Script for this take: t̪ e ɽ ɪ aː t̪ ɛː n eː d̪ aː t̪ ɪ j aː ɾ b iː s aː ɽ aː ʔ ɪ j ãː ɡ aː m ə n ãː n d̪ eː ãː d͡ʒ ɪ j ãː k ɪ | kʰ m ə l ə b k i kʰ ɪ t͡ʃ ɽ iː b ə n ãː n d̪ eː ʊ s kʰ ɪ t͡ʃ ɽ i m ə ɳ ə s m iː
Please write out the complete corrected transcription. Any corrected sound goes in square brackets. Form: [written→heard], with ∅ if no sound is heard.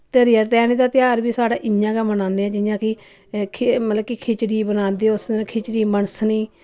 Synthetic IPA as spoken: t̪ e [ɽ→ɾ] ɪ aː t̪ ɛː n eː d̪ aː t̪ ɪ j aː ɾ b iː s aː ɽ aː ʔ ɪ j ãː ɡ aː m ə n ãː n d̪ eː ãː d͡ʒ ɪ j ãː k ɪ | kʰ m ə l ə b k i kʰ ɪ t͡ʃ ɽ iː b ə n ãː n d̪ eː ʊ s kʰ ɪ t͡ʃ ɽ [i→iː] m ə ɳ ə s [m→n] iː